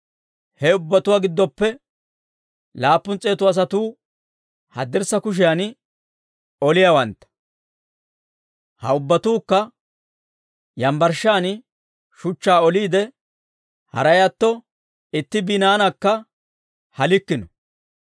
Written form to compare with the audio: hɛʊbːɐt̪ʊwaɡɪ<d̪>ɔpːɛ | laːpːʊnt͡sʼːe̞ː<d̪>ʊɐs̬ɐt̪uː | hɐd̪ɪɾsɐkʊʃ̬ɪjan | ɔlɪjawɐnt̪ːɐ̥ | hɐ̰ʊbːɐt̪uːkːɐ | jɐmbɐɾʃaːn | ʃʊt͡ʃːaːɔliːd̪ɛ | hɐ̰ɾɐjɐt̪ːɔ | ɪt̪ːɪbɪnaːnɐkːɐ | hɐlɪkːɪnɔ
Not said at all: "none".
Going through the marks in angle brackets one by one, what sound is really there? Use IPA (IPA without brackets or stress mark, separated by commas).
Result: d̪ː, t̪